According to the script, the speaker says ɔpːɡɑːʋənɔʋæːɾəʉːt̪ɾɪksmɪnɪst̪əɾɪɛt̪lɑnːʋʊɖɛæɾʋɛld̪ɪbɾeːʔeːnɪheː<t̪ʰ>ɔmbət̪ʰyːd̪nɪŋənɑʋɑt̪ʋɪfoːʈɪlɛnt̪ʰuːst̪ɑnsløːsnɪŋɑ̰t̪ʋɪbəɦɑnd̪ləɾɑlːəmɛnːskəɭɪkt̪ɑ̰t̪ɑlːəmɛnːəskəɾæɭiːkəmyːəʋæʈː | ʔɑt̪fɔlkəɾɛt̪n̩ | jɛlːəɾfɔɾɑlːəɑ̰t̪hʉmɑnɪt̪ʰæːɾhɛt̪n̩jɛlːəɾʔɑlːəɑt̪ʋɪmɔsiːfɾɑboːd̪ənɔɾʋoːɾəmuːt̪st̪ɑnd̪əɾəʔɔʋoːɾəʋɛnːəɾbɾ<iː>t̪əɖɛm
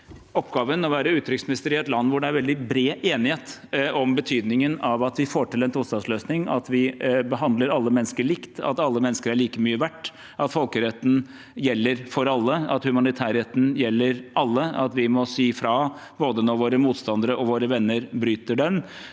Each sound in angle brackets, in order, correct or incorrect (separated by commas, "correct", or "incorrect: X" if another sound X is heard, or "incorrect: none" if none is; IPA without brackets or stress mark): incorrect: t̪, incorrect: yː